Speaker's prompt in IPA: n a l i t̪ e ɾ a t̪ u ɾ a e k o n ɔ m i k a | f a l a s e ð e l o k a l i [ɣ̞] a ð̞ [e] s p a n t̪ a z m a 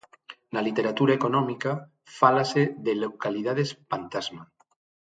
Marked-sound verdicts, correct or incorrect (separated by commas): incorrect, correct